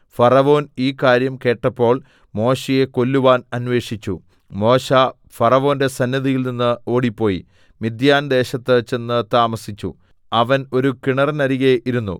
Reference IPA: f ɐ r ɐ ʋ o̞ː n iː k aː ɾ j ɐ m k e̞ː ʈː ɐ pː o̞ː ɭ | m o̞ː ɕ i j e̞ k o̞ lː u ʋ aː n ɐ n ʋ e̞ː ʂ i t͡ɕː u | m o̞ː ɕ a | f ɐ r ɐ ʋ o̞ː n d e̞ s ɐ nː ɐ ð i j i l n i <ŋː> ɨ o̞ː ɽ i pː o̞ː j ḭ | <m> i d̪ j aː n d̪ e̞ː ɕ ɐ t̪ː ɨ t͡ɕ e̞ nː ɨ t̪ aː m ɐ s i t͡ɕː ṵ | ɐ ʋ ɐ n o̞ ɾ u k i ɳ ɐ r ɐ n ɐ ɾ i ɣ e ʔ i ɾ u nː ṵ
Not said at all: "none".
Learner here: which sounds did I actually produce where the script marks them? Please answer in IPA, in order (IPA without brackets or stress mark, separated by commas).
nː, m